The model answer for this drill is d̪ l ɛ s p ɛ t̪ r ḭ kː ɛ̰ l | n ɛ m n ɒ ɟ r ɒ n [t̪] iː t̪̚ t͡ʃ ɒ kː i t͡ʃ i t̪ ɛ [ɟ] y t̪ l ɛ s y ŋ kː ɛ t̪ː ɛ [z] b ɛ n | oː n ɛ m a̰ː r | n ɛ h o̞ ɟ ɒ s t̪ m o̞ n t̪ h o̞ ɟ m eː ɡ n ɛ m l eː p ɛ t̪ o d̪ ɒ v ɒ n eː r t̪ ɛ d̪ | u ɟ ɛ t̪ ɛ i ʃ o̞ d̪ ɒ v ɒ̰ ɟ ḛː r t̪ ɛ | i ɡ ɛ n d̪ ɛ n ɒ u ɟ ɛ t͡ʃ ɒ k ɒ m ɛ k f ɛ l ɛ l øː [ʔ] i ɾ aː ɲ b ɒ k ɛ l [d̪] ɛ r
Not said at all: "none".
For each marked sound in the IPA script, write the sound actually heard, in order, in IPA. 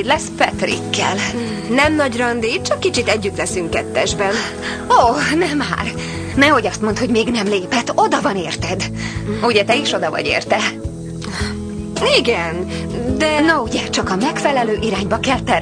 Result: d̪, ɟː, ʒ, ʔ, t̪

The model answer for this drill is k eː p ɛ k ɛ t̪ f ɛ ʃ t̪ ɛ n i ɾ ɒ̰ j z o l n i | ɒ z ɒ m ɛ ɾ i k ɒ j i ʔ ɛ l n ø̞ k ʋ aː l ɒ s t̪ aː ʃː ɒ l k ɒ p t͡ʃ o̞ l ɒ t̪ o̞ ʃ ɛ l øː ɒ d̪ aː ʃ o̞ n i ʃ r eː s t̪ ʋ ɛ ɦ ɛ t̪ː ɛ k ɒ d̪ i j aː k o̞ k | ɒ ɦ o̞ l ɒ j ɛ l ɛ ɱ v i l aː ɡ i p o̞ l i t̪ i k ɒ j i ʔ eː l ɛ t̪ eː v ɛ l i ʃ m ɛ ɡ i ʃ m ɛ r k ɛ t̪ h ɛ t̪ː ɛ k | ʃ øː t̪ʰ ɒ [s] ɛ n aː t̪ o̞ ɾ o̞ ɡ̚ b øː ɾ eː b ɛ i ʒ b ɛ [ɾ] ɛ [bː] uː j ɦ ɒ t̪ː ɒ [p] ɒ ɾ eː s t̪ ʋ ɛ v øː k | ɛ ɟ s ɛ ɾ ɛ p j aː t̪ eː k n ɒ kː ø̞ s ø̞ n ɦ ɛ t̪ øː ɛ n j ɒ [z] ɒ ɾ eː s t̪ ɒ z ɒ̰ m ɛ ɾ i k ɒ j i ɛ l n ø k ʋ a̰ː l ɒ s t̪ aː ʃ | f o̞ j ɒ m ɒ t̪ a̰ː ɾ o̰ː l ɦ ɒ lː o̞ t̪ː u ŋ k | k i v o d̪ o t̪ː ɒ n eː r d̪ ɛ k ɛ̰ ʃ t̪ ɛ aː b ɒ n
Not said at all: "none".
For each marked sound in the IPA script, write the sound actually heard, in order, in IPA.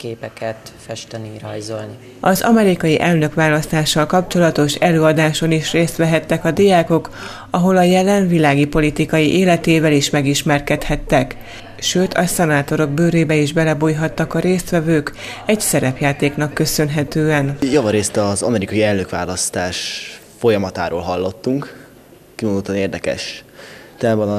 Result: s, l, b, k, v

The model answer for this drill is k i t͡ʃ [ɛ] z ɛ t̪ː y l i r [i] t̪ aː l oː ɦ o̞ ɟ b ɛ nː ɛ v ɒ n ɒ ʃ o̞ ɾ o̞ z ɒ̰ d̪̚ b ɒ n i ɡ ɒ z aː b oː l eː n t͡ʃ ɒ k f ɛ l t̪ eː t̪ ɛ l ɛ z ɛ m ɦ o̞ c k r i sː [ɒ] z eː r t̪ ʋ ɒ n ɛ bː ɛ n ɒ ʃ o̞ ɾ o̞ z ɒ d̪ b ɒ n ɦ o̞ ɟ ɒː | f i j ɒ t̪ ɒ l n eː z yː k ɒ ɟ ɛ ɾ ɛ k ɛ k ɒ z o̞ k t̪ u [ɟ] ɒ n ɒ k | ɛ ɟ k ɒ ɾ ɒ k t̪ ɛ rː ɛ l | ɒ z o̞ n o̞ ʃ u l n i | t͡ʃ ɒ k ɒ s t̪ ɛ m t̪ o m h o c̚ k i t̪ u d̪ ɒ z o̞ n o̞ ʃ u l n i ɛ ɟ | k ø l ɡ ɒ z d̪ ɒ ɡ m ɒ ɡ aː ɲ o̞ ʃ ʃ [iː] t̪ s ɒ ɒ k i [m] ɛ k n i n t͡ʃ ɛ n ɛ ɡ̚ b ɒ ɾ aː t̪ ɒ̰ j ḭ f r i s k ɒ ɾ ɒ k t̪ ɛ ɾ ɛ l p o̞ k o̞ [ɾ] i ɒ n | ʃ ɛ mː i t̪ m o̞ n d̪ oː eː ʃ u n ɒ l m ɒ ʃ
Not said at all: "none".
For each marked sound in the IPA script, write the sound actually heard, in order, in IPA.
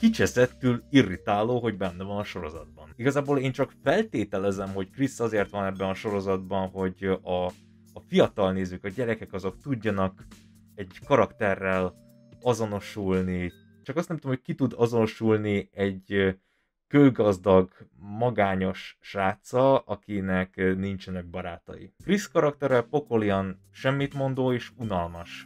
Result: ɛ, i, ɒ, ɟː, aː, n, l

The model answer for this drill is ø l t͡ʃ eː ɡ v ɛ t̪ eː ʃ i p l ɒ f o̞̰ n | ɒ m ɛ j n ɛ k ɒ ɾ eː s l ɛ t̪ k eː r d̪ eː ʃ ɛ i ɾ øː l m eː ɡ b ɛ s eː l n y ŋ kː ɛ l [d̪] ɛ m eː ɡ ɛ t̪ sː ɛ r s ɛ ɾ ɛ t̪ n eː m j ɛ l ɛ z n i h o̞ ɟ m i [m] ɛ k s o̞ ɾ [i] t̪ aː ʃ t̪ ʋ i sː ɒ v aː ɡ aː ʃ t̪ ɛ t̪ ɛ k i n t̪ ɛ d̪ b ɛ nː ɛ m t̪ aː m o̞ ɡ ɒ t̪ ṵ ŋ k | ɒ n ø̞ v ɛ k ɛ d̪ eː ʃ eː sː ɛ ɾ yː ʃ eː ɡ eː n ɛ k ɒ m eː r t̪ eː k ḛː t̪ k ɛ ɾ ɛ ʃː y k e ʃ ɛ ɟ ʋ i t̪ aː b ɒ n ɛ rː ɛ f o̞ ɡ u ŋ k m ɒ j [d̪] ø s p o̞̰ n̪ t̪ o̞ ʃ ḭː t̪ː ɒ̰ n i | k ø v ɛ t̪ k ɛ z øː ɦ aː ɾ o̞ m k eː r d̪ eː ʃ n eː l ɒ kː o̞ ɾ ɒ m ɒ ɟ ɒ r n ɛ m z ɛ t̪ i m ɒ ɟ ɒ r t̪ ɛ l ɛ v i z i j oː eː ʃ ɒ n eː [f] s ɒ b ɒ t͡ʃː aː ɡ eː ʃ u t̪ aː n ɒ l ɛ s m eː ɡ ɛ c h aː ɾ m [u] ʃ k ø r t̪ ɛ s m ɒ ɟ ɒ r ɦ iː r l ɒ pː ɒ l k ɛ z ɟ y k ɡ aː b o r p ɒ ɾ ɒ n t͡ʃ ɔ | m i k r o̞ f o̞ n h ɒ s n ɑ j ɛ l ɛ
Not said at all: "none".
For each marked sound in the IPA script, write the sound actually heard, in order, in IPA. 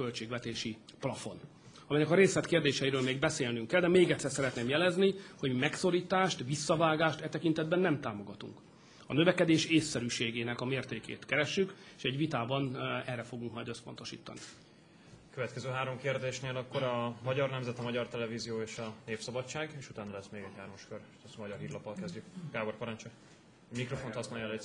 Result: d̪, m, iː, d̪, f, ɒ

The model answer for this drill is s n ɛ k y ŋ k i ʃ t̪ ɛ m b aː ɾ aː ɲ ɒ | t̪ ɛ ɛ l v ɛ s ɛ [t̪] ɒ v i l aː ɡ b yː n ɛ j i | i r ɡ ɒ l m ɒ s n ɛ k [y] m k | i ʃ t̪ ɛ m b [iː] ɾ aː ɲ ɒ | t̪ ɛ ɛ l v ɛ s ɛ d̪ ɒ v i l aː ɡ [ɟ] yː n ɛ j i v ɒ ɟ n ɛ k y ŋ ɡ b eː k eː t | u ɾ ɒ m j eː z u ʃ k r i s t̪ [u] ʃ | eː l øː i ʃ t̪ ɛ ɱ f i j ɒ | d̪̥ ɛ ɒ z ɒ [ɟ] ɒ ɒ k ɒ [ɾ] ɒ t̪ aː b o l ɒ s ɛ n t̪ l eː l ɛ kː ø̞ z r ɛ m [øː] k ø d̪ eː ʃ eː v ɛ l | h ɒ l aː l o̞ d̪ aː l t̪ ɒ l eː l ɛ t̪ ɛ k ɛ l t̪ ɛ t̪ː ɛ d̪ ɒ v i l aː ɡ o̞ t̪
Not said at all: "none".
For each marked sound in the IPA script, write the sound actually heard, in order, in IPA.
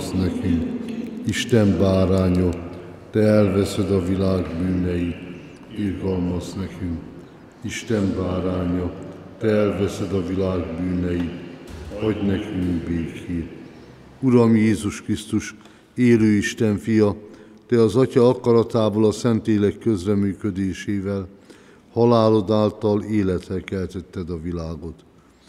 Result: d̪, y, aː, b, u, c, ɾ, yː

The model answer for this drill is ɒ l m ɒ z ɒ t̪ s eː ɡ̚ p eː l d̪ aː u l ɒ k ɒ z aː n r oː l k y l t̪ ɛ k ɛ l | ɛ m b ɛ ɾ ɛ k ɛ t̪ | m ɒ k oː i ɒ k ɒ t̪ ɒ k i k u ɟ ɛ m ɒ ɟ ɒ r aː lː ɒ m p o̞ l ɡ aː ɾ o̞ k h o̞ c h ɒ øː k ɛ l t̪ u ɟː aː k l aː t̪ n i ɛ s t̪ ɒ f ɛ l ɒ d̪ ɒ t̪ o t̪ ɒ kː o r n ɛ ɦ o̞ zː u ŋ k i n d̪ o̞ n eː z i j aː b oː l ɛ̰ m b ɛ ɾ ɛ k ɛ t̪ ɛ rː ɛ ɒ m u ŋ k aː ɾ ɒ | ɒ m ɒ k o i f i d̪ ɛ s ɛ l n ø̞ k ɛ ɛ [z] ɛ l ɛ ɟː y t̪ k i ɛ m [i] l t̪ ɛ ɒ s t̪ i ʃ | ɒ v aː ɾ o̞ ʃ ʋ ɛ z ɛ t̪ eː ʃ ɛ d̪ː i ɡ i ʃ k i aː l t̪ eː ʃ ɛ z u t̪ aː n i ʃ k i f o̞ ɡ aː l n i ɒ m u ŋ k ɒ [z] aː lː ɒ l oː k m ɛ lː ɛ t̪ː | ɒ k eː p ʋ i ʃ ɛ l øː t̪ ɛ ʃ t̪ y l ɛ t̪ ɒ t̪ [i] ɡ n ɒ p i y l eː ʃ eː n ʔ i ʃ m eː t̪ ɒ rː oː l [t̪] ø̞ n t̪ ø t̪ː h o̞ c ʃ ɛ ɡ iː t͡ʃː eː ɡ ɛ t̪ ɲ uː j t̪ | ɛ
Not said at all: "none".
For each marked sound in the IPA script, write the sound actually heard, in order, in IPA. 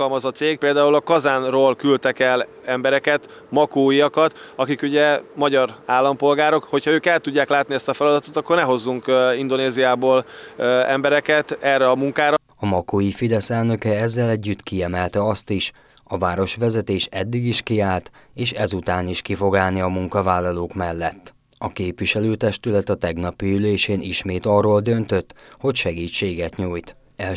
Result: zː, ɛ, v, ɛ, d̪

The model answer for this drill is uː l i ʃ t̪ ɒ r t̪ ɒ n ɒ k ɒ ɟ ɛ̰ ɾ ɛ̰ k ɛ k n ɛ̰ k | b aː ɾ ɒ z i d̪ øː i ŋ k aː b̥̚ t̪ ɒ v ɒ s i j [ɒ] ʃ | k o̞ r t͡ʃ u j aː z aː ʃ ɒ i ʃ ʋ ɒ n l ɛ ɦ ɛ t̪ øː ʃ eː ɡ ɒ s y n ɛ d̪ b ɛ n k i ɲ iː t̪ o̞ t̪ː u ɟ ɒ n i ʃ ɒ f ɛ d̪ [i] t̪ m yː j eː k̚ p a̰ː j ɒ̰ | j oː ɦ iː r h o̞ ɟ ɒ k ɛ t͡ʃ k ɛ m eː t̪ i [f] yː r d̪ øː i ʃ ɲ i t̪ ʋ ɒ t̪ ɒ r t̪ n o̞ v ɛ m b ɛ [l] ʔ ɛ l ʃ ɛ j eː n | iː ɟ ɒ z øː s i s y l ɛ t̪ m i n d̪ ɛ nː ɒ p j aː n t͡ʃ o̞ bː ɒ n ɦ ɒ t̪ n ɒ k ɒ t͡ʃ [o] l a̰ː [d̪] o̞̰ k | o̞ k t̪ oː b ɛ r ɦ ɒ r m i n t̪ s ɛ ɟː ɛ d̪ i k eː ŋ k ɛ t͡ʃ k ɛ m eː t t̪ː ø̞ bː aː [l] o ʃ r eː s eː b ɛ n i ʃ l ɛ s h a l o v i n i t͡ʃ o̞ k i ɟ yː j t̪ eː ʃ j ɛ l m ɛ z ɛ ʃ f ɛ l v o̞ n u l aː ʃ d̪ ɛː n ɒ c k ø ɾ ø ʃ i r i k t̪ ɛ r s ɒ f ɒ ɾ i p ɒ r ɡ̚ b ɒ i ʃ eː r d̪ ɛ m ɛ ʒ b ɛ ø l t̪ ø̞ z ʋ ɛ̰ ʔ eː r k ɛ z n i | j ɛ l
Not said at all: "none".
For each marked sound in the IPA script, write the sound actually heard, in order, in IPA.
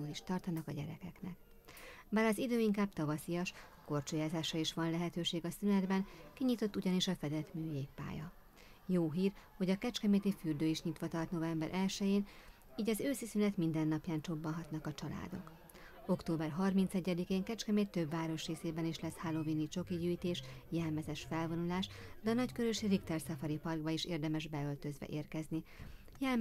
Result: ɒ, ɛ, f, ɾ, ɒ, d̪, ɾ

